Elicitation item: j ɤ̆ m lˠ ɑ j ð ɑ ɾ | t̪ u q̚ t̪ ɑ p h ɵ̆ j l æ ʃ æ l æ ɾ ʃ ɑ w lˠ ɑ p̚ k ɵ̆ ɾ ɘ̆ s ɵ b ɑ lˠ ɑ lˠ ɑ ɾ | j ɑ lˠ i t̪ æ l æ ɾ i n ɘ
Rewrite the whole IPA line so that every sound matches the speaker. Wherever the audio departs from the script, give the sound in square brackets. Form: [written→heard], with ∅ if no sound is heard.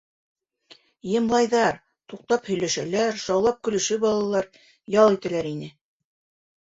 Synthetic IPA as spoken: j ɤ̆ m lˠ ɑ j ð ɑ ɾ | t̪ u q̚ t̪ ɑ p h ɵ̆ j l æ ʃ æ l æ ɾ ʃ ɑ w lˠ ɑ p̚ k ɵ̆ [ɾ→l] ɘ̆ [s→ʃ] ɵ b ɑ lˠ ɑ lˠ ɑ ɾ | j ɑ lˠ i t̪ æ l æ ɾ i n ɘ